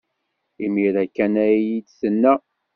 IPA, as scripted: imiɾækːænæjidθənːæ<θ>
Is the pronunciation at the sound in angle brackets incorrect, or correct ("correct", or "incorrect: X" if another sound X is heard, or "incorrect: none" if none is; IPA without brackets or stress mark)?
incorrect: none